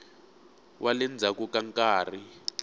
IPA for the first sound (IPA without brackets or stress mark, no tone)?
w